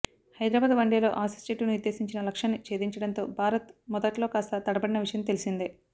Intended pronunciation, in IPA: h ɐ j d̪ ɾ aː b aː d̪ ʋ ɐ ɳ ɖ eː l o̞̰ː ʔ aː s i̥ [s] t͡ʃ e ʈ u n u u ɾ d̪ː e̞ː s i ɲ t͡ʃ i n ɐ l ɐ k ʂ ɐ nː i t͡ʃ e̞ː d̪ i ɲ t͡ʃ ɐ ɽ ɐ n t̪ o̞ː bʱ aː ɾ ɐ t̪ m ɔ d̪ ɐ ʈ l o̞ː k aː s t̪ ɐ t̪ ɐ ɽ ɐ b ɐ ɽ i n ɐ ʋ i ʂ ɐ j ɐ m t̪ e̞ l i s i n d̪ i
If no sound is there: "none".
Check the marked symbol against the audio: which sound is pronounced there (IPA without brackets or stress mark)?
s